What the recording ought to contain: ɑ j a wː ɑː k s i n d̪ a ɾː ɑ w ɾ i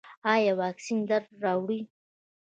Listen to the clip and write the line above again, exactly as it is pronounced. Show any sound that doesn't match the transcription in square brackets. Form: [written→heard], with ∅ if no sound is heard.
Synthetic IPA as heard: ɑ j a [wː→w] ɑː k s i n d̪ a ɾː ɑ w [ɾ→ɽ] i